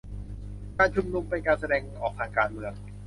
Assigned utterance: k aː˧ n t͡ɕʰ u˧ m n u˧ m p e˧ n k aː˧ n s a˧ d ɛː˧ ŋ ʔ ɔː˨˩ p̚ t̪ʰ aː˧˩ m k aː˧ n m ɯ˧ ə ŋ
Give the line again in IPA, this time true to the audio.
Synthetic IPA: k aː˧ n t͡ɕʰ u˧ m n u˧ m p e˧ n k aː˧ n s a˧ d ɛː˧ ŋ ʔ ɔː˨˩ k̚ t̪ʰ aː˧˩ ŋ k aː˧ n m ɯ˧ ə ŋ